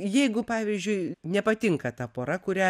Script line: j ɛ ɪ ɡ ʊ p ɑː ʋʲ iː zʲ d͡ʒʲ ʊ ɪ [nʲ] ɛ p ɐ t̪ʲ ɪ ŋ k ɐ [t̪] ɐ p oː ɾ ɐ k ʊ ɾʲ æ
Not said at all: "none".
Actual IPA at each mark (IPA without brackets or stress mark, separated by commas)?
nʲ, t̪